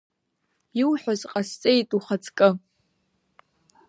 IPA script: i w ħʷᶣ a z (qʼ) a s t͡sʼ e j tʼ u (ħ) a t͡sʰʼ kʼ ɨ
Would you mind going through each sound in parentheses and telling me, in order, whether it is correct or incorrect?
correct, incorrect

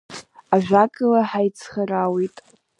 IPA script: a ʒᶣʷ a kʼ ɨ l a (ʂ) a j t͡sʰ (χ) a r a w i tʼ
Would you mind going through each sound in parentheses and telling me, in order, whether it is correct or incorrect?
incorrect, correct

